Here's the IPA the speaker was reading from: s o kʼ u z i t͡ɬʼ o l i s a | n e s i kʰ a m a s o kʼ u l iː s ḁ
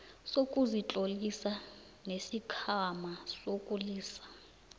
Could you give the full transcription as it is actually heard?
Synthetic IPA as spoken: s o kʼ u z i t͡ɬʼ o l i s a | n e s i kʰ a m a s o kʼ u l iː s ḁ